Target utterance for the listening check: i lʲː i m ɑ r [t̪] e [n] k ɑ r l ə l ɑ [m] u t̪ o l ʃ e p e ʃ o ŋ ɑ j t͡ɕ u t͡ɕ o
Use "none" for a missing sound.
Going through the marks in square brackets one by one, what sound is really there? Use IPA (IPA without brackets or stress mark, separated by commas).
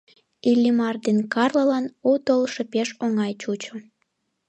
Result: d̪, n, n